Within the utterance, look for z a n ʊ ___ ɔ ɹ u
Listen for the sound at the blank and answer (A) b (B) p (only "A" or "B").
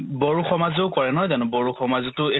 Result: A